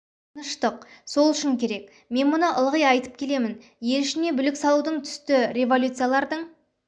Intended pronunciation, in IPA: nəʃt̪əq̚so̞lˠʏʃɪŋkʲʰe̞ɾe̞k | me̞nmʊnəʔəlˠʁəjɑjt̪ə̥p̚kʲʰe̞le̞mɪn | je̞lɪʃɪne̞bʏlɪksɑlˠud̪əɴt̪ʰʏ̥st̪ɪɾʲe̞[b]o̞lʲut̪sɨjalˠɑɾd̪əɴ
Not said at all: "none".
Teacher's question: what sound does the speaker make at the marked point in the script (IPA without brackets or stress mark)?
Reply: v